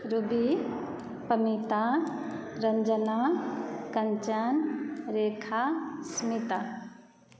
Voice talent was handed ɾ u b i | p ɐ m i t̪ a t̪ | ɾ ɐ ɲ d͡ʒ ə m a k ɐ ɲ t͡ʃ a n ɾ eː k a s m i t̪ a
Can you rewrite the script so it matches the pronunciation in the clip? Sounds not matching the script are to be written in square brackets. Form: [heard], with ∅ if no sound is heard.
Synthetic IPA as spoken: ɾ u b i | p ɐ m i t̪ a [∅] | ɾ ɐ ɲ d͡ʒ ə [n] a k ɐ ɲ t͡ʃ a n ɾ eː [kʰ] a s m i t̪ a